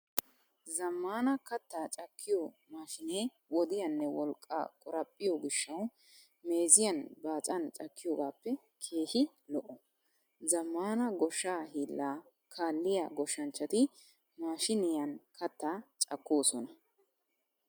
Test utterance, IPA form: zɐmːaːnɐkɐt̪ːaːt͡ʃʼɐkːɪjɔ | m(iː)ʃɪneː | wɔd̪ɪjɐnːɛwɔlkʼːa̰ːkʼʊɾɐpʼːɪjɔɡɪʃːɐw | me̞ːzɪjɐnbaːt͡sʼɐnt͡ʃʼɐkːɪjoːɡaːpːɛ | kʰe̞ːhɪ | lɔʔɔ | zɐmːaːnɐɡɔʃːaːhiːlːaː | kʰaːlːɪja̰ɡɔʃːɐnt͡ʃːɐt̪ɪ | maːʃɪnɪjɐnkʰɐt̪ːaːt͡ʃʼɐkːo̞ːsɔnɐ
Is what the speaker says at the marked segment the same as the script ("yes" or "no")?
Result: no